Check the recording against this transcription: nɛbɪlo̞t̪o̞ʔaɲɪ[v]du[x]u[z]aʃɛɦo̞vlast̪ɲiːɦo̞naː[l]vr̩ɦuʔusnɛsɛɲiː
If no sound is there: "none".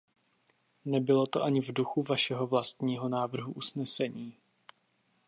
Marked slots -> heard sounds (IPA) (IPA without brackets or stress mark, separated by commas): v, x, v, none